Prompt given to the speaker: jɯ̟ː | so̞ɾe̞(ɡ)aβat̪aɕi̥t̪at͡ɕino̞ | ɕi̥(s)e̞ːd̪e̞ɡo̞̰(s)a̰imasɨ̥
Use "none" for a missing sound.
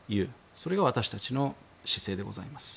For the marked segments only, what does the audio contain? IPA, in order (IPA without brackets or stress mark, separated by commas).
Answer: ɡ, s, z